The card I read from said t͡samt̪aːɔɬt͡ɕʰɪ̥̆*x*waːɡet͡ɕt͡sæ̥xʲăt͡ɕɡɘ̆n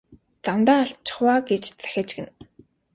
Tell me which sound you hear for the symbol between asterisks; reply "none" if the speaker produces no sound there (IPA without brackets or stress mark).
χ